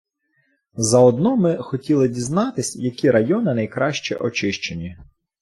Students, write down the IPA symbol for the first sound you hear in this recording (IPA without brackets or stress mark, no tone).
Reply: z